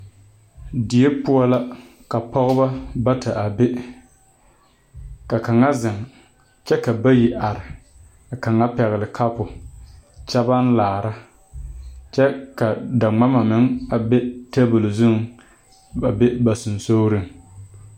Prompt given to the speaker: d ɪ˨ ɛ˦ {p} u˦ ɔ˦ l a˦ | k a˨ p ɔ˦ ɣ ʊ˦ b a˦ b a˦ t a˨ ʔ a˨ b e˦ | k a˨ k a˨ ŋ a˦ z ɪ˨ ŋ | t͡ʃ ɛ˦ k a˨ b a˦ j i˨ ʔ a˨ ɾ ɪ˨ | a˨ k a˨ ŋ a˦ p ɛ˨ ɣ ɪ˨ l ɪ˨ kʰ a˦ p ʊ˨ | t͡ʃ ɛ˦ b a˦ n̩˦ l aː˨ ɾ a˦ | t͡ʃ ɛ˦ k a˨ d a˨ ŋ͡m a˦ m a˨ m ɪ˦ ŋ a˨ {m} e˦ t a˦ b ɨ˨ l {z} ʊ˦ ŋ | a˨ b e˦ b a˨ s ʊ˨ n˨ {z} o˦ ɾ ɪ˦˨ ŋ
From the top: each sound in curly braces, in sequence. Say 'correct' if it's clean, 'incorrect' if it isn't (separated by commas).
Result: correct, incorrect, correct, incorrect